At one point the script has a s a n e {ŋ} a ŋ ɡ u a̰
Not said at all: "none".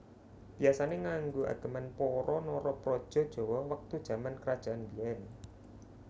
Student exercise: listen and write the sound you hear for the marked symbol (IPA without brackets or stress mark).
ŋ